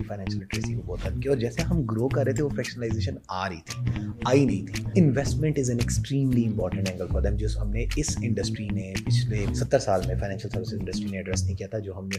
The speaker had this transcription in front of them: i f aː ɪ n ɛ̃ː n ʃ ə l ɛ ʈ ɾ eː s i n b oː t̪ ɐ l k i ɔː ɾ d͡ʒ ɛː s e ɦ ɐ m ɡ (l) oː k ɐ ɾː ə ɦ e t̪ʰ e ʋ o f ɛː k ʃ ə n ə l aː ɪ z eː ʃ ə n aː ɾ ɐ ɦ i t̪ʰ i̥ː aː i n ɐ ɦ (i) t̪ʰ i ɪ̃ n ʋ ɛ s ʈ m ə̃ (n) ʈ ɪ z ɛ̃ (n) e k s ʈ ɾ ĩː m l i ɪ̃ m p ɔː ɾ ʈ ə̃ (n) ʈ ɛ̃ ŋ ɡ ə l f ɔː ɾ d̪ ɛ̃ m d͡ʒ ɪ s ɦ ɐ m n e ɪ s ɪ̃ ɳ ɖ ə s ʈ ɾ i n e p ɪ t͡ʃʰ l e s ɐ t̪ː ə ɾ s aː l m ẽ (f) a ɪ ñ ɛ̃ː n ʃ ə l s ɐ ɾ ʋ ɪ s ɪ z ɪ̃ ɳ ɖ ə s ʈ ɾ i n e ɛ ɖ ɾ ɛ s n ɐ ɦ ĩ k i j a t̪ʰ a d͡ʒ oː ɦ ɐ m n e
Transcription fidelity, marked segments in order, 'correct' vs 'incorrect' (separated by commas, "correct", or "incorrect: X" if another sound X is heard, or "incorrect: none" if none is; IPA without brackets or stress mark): incorrect: ɾ, incorrect: ĩ, incorrect: ɳ, correct, incorrect: ɳ, correct